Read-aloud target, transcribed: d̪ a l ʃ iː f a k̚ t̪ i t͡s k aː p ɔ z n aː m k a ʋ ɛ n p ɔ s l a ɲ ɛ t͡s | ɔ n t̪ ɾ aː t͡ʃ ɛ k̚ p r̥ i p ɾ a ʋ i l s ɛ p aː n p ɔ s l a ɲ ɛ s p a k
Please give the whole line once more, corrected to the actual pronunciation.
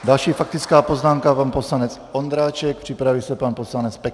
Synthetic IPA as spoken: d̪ a l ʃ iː f a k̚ t̪ i t͡s k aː p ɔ z n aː m k a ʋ a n p ɔ s l a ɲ ɛ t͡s | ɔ n d̪ ɾ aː t͡ʃ ɛ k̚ p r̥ i p ɾ a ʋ i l s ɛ p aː n p ɔ s l a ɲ ɛ t͡s p ɛ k